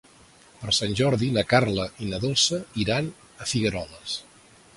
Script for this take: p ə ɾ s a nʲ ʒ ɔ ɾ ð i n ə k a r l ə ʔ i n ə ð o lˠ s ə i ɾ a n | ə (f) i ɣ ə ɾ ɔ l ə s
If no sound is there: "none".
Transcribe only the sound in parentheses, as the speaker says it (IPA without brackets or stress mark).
f